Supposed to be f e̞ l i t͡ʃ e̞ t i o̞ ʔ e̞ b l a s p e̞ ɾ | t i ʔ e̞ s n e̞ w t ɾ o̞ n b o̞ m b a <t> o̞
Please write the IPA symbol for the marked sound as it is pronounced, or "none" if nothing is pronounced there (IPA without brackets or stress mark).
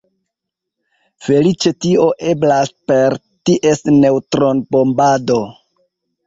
d